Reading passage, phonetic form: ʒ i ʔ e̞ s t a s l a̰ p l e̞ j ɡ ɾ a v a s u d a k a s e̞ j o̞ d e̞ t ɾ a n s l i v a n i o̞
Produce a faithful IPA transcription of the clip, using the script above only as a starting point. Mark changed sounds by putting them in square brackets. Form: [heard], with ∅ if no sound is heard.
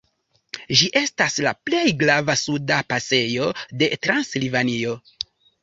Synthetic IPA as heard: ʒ i ʔ e̞ s t a s l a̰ p l e̞ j ɡ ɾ a v a s u d a [p] a s e̞ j o̞ d e̞ t ɾ a n s l i v a n i o̞